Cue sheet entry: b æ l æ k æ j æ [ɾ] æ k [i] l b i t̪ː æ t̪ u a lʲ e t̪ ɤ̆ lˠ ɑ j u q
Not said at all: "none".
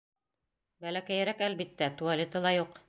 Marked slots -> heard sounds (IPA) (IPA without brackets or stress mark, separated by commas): ɾ, æ